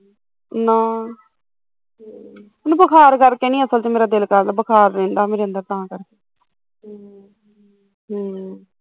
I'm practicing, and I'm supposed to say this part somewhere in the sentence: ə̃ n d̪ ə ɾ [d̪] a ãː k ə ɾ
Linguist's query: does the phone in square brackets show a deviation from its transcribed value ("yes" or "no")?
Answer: yes